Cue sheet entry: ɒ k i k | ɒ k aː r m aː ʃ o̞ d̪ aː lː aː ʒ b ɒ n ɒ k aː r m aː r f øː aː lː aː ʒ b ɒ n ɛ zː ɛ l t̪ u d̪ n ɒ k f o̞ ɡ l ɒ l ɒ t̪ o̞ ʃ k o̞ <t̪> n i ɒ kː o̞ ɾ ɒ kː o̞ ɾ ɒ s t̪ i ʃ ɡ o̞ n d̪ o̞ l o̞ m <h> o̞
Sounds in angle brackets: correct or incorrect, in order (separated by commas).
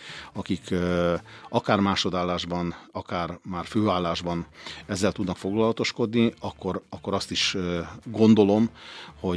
incorrect, correct